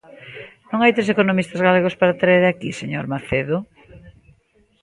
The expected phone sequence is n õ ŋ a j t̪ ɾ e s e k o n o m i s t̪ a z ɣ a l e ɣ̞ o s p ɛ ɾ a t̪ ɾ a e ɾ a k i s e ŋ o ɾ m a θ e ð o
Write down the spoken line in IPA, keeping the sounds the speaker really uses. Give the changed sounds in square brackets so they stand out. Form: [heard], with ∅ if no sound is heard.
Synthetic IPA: n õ ŋ a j t̪ ɾ e s e k o n o m i s t̪ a z ɣ a l e ɣ̞ o s p [a] ɾ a t̪ ɾ a e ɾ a k i s e [ɲ] o ɾ m a θ e ð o